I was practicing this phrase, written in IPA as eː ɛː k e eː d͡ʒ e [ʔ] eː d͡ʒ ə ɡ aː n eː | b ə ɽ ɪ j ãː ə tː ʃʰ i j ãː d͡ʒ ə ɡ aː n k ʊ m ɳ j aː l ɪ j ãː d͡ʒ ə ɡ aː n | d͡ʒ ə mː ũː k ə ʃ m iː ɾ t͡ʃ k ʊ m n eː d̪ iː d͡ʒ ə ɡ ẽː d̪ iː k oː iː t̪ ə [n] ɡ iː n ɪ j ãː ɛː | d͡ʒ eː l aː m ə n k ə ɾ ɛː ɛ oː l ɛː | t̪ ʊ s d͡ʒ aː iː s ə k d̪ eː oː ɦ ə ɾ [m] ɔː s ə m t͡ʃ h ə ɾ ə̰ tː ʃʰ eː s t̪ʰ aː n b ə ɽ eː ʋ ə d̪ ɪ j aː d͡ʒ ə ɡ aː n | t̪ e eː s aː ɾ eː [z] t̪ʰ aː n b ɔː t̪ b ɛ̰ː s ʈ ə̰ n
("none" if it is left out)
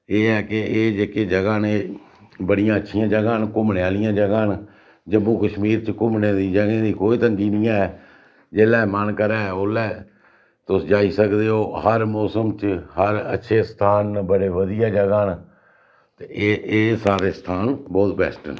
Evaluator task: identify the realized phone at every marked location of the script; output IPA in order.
k, ŋ, m, s

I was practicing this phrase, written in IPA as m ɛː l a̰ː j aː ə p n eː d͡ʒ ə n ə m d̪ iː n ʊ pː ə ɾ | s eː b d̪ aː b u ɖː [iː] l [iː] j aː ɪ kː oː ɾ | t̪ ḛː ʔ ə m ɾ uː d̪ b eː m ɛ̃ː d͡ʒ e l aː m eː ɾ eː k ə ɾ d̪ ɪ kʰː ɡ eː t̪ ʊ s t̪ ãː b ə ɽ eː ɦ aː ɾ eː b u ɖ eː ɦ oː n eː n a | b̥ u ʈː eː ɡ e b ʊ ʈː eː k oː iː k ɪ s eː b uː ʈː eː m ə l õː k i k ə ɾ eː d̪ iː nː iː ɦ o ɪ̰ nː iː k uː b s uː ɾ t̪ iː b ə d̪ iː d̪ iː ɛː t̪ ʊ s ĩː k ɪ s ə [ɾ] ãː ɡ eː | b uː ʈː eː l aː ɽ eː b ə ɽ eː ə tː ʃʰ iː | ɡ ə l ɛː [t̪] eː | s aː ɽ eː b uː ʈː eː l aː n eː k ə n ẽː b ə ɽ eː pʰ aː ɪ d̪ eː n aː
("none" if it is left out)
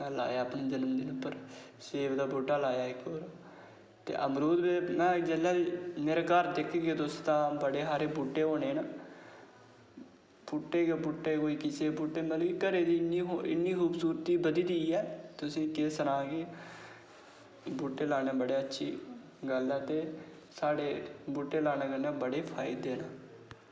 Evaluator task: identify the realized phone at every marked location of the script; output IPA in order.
aː, aː, ɾ, t̪

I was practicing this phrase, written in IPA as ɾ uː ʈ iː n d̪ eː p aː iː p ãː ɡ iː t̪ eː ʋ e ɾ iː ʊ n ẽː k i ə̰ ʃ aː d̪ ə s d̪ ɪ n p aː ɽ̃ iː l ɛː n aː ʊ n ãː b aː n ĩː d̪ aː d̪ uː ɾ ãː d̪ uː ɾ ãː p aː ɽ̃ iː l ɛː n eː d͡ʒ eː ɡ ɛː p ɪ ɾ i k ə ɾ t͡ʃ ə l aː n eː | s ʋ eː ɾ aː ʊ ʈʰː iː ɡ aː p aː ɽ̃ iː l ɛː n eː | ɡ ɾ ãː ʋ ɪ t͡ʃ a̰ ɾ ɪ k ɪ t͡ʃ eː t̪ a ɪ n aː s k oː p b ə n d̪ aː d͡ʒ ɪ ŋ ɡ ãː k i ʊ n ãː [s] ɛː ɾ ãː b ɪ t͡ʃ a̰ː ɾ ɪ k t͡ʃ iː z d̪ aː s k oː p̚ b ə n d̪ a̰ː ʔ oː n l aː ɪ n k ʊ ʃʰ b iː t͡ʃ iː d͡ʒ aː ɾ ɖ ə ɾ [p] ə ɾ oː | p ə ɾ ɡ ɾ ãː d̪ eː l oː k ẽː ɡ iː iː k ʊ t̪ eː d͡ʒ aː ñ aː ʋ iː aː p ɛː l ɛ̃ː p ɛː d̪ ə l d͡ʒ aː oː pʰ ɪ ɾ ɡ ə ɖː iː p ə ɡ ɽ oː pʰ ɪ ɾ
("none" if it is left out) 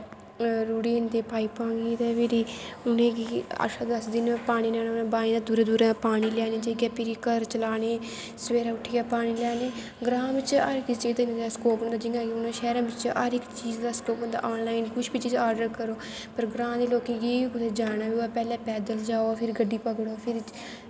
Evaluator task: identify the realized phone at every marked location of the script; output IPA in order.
ʃ, k

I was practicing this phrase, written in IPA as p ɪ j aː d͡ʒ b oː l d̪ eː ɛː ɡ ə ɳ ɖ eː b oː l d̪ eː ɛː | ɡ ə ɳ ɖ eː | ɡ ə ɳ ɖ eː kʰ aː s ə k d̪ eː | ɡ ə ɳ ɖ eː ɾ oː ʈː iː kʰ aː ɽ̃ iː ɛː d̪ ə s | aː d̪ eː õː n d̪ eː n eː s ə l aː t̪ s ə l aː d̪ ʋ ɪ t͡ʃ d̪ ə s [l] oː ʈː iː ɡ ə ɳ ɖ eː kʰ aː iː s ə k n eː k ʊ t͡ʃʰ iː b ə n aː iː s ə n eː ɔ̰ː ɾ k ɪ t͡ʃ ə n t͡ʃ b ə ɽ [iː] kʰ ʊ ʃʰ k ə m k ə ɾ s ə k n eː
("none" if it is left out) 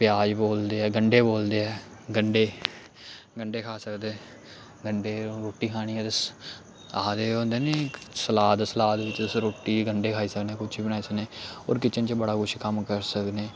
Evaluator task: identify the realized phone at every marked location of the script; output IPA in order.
ɾ, aː

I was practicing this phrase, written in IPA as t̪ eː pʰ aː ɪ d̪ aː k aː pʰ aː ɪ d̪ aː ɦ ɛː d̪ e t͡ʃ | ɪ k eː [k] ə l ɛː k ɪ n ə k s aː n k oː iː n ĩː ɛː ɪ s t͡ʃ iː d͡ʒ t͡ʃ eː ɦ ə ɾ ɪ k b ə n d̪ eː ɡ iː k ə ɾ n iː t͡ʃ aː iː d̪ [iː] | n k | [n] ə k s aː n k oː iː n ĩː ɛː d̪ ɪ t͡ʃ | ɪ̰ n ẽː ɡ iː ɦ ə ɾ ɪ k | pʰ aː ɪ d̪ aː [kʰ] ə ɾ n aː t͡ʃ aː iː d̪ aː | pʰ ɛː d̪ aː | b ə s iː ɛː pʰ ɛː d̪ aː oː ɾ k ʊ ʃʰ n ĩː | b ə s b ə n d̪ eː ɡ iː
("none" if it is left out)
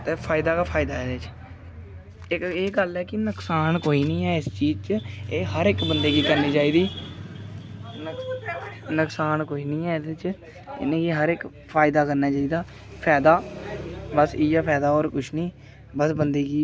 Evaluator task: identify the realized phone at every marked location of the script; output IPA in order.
ɡ, iː, n, k

